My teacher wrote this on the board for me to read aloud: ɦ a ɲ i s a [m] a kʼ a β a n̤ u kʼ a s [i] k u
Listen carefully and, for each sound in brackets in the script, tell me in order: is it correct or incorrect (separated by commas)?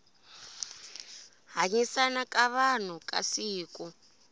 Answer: incorrect, incorrect